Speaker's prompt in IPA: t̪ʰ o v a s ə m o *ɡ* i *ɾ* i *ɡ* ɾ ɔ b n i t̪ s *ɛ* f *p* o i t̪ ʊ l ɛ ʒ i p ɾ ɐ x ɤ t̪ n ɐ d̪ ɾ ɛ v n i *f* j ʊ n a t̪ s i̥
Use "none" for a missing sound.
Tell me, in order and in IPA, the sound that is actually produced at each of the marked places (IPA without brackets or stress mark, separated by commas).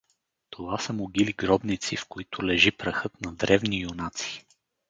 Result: ɡ, l, ɡ, i, k, none